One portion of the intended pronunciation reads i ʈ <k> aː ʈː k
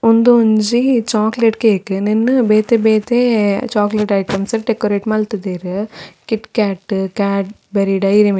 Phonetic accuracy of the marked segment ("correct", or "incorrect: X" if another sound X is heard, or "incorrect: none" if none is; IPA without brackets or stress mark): correct